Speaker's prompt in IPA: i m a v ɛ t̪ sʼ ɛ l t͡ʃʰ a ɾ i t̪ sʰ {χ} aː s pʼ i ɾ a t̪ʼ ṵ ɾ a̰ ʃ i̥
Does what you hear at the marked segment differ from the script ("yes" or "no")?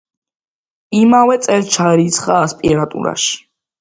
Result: no